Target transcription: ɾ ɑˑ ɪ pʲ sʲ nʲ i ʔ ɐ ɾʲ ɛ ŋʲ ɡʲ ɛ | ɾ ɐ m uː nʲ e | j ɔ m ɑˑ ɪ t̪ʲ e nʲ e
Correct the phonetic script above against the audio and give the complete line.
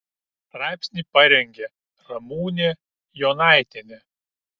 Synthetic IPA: ɾ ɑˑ ɪ pʲ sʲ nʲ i p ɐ ɾʲ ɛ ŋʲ ɡʲ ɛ | ɾ ɐ m uː nʲ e | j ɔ n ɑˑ ɪ t̪ʲ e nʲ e